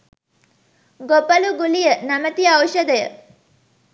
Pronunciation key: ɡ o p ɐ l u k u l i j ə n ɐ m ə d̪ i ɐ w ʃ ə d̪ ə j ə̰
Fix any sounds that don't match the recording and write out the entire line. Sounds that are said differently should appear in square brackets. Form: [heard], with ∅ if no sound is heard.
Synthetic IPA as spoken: ɡ o p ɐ l u [ɡ] u l i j ə n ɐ m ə [t̪] i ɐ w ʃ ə d̪ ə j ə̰